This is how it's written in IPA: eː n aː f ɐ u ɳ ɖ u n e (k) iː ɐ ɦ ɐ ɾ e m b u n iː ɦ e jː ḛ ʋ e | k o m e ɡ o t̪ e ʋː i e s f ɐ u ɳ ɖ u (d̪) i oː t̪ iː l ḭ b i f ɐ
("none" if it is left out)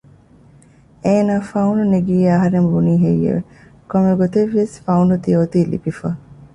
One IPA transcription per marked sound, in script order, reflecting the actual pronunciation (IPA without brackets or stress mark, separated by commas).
ɡ, t̪